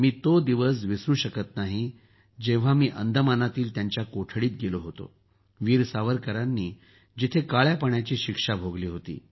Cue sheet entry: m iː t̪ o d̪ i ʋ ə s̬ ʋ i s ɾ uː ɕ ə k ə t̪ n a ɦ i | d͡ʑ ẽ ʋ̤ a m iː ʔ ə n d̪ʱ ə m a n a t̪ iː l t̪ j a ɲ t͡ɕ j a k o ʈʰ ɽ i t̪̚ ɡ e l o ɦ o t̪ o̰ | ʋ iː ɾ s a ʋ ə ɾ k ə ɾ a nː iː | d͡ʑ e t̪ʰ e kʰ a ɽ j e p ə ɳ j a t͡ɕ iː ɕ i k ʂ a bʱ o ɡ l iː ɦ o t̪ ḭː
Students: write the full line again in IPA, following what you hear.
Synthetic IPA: m iː t̪ o d̪ i ʋ ə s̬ ʋ i s ɾ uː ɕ ə k ə t̪ n a ɦ i | d͡ʑ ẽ ʋ̤ a m iː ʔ ə n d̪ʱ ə m a n a t̪ iː l t̪ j a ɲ t͡ɕ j a k o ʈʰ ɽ iː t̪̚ ɡ e l o ɦ o t̪ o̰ | ʋ iː ɾ s a ʋ ə ɾ k ə ɾ a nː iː | d͡ʑ i t̪ʰ e k a ɭ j a p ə ɳ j a t͡ɕ iː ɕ i k ʂ a bʱ o ɡ l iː ɦ o t̪ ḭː